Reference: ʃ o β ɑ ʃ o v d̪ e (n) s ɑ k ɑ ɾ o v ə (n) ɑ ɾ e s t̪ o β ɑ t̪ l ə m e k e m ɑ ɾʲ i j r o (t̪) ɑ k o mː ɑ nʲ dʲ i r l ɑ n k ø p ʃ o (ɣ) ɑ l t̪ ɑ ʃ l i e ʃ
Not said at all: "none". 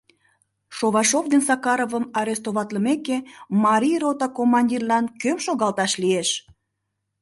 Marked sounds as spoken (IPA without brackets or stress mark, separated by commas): n, m, t̪, ɣ